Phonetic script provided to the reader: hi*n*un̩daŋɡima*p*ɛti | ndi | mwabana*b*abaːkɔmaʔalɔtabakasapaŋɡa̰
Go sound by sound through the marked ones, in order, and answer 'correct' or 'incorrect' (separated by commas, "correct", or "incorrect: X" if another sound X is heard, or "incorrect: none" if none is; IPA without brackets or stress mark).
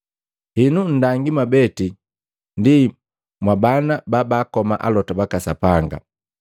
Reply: correct, incorrect: b, correct